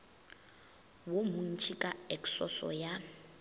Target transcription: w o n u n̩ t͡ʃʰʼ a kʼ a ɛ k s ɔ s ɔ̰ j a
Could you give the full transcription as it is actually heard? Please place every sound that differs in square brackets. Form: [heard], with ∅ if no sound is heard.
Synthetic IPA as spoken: w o [m] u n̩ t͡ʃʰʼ [i] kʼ a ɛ k s ɔ s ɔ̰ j a

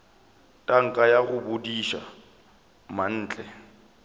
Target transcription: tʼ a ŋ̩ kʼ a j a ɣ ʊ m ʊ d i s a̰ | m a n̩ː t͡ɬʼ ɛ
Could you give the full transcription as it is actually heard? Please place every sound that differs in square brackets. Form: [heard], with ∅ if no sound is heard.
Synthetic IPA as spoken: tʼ a ŋ̩ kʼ a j a ɣ ʊ [b] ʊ d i [ʃ] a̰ | m a n̩ː t͡ɬʼ ɛ

